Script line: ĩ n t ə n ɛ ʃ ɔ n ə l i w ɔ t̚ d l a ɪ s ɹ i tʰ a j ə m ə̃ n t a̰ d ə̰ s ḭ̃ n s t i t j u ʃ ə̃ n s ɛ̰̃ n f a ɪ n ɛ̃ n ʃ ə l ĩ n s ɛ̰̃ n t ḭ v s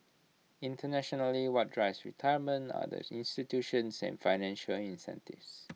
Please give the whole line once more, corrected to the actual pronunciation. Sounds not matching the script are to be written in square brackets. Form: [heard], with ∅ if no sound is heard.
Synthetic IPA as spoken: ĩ n t ə n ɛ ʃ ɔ n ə l i w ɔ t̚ d [ɹ] a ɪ s ɹ i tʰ a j ə m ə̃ n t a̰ d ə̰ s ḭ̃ n s t i t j u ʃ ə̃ n s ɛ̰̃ n f a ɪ n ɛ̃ n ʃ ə l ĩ n s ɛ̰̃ n t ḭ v s